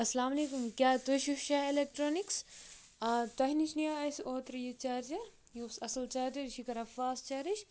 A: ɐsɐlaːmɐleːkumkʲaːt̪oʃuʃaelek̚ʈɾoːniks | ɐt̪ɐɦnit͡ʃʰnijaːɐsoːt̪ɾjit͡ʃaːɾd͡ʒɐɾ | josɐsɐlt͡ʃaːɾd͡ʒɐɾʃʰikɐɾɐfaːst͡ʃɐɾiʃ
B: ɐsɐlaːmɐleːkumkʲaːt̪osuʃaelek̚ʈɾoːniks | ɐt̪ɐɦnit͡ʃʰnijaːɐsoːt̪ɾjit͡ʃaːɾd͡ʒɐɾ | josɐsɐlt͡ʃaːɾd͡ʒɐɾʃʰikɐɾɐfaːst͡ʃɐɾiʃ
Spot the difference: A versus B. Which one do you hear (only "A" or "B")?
A